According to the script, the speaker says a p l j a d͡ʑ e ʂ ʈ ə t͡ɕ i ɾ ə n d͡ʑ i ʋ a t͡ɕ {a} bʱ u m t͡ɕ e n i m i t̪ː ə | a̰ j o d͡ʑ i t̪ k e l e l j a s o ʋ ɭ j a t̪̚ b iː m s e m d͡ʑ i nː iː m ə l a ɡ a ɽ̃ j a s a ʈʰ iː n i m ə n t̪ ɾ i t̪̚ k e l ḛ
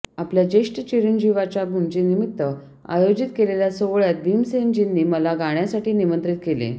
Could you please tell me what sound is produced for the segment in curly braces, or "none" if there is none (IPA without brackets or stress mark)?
a